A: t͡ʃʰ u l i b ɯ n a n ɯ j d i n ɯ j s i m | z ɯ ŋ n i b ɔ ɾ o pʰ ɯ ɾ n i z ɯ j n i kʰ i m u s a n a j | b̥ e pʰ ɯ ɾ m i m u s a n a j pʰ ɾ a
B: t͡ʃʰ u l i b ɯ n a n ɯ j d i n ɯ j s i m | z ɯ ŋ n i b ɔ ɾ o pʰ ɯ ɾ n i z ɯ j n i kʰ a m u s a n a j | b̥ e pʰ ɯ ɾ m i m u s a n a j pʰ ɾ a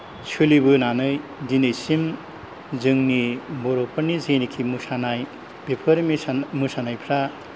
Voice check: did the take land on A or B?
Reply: A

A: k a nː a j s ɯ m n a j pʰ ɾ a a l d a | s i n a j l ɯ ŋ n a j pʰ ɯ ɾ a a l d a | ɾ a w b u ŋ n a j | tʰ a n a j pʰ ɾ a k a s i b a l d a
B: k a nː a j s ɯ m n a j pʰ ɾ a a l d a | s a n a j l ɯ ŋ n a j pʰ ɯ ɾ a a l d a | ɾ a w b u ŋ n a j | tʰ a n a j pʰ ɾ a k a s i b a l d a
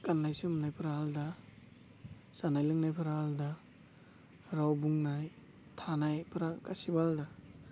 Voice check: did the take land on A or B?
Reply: B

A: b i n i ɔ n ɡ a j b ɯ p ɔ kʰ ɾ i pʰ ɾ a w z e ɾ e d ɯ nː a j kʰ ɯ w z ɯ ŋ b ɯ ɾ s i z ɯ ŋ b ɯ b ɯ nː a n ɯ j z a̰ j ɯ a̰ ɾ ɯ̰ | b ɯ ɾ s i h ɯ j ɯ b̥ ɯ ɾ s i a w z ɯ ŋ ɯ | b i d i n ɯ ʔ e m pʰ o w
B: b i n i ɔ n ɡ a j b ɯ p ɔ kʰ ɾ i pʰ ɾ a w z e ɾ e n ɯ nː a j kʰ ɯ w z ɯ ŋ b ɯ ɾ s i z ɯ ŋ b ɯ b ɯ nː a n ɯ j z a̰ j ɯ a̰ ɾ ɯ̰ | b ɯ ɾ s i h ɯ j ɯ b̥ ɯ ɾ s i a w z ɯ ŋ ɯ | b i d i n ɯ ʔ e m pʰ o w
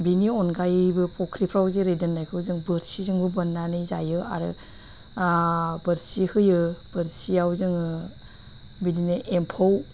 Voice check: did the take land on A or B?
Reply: A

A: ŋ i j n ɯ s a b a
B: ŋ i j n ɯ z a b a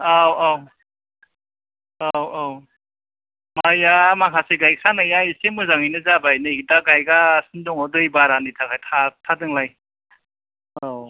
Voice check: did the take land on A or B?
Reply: B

